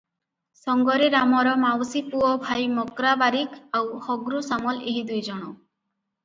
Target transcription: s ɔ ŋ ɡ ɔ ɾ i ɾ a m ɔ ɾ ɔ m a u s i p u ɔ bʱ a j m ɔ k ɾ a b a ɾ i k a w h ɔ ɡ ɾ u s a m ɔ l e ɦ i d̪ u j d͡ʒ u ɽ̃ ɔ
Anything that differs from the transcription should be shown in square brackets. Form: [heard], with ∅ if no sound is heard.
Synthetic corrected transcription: s ɔ ŋ ɡ ɔ ɾ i ɾ a m ɔ ɾ ɔ m a [w] s i p u ɔ bʱ a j m ɔ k ɾ a b a ɾ i k a w h ɔ ɡ ɾ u s a m ɔ l e ɦ i d̪ u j d͡ʒ [ɔ] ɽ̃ ɔ